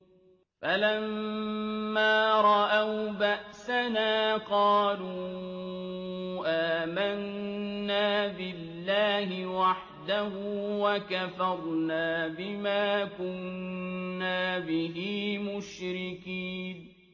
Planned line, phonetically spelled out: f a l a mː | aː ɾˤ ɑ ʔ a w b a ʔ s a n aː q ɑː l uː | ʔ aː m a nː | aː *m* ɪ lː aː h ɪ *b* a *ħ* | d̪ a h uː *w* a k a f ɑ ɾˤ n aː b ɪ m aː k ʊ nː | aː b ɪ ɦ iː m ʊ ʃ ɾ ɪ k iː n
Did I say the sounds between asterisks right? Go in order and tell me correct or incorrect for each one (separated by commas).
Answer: incorrect, incorrect, correct, correct